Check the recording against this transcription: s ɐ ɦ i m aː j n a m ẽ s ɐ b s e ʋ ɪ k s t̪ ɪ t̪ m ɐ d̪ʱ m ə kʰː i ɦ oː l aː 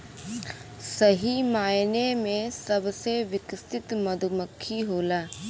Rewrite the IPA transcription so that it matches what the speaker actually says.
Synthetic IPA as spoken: s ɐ ɦ i m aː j n e m ẽ s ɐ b s e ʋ ɪ k s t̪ ɪ t̪ m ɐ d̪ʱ m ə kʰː i ɦ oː l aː